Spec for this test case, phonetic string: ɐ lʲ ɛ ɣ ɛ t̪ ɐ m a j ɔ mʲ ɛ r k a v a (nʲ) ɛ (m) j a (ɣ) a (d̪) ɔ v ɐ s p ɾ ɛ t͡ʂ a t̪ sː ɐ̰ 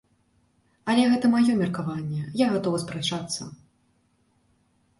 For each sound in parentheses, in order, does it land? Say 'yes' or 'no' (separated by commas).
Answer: no, no, yes, no